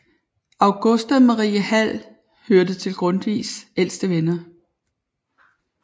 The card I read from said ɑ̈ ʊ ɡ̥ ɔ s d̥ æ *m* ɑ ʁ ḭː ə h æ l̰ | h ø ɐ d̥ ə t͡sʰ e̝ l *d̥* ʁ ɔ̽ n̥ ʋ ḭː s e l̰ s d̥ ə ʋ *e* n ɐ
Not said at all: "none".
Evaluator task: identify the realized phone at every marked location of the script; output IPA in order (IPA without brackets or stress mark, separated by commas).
m, ɡ̥, e